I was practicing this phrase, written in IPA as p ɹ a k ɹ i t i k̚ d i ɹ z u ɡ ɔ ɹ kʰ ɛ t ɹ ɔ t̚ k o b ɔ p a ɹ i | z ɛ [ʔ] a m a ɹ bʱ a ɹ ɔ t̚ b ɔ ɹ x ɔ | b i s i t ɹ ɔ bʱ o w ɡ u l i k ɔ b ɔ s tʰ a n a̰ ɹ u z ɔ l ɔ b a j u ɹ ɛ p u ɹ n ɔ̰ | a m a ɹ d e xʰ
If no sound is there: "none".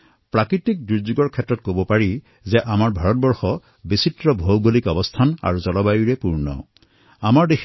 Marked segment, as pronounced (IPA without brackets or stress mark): ʔ